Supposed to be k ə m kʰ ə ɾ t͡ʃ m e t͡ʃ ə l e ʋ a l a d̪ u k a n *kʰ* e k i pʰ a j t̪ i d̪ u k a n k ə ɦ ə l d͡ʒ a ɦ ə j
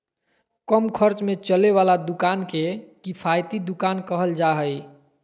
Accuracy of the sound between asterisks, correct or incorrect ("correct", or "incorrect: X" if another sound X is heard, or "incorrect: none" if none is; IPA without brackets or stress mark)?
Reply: incorrect: k